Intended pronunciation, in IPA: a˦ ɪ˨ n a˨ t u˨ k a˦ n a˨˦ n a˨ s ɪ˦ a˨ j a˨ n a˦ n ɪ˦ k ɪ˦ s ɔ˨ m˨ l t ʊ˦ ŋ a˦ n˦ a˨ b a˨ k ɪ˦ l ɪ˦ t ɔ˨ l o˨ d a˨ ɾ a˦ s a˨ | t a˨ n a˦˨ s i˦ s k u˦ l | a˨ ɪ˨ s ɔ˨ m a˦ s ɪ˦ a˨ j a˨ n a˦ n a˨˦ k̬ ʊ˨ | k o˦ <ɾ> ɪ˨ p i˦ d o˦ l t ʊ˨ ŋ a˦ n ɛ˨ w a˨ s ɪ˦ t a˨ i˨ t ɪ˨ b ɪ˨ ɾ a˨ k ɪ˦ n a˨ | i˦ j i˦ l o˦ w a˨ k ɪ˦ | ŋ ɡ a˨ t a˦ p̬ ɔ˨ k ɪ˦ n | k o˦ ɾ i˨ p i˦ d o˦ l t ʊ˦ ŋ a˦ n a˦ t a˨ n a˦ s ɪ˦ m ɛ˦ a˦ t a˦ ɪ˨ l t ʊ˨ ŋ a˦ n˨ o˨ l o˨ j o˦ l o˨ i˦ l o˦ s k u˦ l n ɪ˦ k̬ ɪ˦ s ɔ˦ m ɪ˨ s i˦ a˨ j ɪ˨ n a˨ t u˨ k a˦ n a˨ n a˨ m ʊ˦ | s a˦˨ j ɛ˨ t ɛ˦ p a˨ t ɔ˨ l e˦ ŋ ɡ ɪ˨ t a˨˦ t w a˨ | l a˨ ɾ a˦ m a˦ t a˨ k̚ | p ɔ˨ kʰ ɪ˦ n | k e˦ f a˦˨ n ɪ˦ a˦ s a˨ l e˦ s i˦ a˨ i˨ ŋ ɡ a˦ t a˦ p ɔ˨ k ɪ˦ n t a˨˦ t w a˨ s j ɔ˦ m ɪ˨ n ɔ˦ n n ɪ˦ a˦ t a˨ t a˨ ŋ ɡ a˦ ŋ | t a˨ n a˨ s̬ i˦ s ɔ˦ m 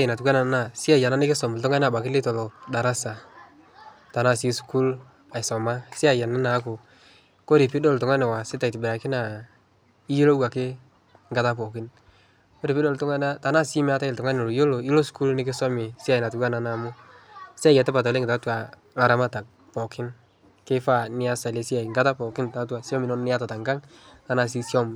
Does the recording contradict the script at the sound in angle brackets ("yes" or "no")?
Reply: no